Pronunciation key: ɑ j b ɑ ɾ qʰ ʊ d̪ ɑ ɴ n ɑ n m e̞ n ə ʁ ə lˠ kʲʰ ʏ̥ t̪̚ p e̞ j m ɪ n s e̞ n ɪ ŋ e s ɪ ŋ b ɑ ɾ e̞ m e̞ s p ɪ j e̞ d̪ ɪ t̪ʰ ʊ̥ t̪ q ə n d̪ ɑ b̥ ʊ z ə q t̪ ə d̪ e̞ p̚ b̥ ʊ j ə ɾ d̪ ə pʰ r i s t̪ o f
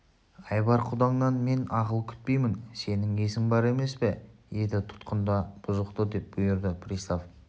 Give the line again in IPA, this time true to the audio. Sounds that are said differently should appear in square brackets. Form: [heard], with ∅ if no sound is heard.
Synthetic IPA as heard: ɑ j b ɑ ɾ qʰ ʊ d̪ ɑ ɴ n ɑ n m e̞ n [ɑ] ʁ ə lˠ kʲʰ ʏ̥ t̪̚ p e̞ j m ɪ n s e̞ n ɪ ŋ e s ɪ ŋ b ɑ ɾ e̞ m e̞ s p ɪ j e̞ d̪ ɪ t̪ʰ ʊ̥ t̪ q ə n d̪ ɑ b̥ ʊ z ə q t̪ ə d̪ e̞ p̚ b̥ ʊ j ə ɾ d̪ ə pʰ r i s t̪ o f